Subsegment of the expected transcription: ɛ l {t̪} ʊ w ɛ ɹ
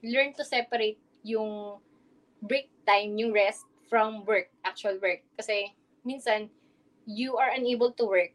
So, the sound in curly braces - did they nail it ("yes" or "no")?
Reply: yes